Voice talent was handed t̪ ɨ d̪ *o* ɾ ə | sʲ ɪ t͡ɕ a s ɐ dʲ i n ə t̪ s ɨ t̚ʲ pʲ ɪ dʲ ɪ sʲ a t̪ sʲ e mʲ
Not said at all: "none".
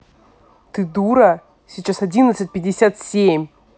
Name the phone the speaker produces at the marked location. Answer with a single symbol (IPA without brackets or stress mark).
u